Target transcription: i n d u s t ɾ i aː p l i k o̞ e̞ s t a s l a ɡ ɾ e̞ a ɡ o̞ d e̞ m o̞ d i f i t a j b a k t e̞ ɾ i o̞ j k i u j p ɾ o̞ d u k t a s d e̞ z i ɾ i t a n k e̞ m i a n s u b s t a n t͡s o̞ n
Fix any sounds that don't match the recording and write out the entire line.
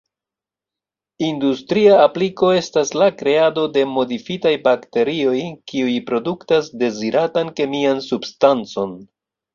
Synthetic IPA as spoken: i n d u s t ɾ i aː p l i k o̞ e̞ s t a s l a k ɾ e̞ a d o̞ d e̞ m o̞ d i f i t a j b a k t e̞ ɾ i o̞ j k i u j p ɾ o̞ d u k t a s d e̞ z i ɾ a t a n k e̞ m i a n s u b s t a n t͡s o̞ n